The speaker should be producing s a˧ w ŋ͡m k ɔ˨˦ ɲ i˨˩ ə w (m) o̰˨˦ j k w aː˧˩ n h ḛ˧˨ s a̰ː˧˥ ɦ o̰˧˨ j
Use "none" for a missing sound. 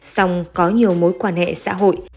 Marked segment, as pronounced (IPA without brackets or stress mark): m